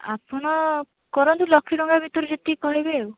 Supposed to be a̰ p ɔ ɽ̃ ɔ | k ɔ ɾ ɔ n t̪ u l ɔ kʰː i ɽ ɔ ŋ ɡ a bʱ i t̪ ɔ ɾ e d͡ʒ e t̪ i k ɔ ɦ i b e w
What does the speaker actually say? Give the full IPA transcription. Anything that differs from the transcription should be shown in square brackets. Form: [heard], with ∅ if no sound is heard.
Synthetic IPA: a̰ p ɔ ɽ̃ ɔ | k ɔ ɾ ɔ n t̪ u l ɔ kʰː i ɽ ɔ ŋ ɡ a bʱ i t̪ ɔ ɾ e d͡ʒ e t̪ i k ɔ ɦ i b e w